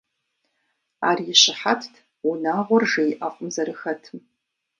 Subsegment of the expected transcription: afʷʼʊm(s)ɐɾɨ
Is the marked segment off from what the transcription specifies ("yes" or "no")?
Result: yes